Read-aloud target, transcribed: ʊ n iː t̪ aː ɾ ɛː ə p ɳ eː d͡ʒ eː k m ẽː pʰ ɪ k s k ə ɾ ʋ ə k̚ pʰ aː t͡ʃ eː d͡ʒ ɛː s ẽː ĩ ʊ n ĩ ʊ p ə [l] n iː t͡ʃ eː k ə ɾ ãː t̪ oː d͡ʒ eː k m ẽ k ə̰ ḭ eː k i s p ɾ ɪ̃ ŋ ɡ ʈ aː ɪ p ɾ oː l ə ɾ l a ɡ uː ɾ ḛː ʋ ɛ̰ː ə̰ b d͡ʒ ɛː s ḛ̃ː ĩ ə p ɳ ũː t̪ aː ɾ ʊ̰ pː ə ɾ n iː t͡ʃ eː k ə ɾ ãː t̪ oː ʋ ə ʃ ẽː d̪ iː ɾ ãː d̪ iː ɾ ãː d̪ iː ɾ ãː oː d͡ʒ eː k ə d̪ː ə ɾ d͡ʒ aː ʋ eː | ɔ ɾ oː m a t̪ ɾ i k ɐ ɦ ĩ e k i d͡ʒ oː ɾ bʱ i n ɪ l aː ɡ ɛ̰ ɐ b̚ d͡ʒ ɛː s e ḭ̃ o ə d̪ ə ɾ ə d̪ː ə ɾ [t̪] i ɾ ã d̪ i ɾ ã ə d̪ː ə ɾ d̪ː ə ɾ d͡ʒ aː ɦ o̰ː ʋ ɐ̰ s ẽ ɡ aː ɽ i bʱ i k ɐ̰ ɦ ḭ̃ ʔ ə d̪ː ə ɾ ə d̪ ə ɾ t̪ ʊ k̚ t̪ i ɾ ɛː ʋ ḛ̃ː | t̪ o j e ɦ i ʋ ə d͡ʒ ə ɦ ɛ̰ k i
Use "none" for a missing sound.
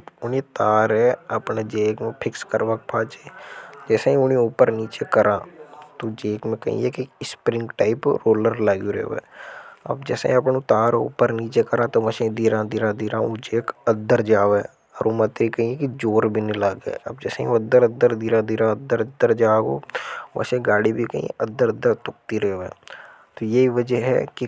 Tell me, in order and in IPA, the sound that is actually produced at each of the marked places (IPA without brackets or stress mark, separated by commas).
ɾ, d̪